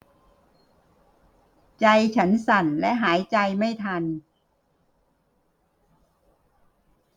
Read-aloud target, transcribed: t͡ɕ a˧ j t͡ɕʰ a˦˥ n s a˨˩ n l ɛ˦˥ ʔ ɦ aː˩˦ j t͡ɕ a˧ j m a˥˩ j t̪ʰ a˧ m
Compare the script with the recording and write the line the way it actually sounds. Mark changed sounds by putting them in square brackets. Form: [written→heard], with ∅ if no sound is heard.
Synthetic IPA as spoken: t͡ɕ a˧ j t͡ɕʰ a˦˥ n s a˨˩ n l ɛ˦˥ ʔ ɦ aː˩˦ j t͡ɕ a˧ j m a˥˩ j t̪ʰ a˧ [m→n]